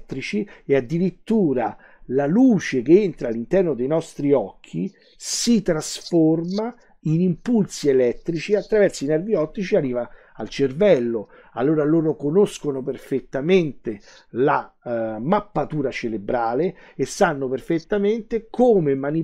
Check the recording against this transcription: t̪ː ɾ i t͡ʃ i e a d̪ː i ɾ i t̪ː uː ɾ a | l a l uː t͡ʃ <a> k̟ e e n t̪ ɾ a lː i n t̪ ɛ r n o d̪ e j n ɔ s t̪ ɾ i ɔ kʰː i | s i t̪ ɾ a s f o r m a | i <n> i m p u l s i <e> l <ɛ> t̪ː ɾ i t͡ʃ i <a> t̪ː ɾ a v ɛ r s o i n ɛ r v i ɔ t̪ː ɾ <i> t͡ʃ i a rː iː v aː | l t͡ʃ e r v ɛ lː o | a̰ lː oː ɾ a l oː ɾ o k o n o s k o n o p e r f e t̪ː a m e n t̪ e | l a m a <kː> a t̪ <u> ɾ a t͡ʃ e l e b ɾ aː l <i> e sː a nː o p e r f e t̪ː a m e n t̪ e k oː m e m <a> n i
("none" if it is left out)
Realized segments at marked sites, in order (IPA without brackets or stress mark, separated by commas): e, n, e, ɛ, a, i, pː, uː, e, a